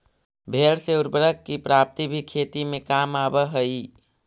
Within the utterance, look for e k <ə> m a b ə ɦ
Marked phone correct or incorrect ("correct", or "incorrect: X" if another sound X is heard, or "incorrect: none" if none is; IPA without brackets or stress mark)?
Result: incorrect: a